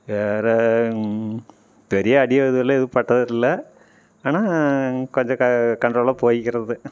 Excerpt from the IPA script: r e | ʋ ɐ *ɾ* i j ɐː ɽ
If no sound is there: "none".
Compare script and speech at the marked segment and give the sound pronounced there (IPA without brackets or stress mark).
ɾ